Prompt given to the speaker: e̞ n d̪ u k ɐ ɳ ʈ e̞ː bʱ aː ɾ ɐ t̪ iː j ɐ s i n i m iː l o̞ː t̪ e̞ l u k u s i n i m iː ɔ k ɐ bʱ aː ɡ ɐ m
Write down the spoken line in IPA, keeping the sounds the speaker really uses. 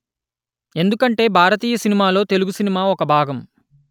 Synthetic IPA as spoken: e̞ n d̪ u k ɐ ɳ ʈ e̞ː bʱ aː ɾ ɐ t̪ iː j ɐ s i n i m aː l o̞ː t̪ e̞ l u ɡ u s i n i m aː ɔ k ɐ bʱ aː ɡ ɐ m